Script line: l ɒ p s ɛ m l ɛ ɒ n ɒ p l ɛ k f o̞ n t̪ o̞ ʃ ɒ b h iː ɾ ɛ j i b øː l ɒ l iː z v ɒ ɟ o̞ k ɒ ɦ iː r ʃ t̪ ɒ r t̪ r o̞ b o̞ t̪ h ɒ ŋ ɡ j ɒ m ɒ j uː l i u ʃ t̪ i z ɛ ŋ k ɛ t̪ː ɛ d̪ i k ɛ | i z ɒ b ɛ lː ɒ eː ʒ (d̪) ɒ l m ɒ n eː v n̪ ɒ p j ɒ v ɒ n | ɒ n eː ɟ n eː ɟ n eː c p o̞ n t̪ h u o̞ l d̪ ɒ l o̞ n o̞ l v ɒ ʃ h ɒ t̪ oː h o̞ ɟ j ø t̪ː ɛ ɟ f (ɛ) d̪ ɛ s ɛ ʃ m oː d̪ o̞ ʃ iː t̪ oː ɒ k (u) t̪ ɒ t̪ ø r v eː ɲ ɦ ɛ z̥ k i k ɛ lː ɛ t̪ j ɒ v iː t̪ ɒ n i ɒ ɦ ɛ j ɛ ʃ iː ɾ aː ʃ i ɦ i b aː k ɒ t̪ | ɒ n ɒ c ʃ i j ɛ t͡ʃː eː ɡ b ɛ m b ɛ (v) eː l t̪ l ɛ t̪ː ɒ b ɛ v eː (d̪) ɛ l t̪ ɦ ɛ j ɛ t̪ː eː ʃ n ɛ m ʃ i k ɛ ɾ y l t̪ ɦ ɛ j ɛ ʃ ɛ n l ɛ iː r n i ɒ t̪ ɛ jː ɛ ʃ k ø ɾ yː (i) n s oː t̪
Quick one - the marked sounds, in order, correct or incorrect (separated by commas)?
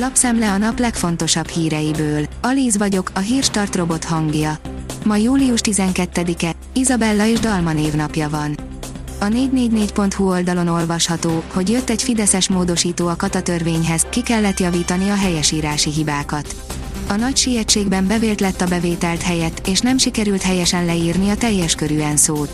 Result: correct, incorrect, incorrect, correct, incorrect, incorrect